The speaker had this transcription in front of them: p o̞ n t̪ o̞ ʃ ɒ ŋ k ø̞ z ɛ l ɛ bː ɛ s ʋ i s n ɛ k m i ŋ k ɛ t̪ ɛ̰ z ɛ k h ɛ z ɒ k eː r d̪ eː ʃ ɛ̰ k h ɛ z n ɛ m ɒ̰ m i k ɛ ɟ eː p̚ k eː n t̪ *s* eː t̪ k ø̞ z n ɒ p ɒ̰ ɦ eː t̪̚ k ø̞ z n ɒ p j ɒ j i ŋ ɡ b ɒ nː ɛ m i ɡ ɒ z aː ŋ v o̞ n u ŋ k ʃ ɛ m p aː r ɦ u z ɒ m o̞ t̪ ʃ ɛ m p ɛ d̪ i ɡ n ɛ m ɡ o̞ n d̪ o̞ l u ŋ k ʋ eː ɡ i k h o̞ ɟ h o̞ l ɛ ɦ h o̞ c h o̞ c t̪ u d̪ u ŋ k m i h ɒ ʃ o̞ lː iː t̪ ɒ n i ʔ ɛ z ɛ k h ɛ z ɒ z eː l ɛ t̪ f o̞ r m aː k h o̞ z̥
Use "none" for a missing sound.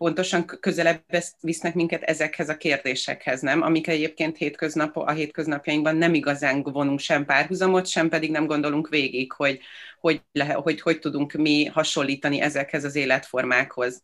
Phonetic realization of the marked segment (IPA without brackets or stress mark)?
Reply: h